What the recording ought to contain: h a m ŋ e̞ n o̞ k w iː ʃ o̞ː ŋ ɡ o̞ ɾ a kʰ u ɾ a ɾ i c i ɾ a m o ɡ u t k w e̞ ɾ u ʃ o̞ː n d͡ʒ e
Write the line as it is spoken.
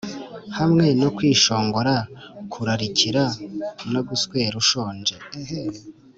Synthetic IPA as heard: h a m ŋ e̞ n o̞ k w iː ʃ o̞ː ŋ ɡ o̞ ɾ a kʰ u ɾ a ɾ i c i ɾ a n o ɡ u s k w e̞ ɾ u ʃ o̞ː n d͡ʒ e